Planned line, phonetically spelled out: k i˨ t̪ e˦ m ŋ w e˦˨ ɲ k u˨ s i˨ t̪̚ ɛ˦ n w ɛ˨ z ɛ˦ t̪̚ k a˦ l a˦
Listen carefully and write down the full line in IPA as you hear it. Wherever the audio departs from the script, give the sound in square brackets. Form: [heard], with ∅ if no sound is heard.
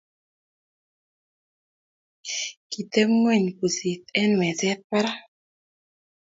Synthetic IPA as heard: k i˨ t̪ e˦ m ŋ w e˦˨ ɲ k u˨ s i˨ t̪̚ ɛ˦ n w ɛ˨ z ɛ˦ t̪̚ [p] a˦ [ɾ] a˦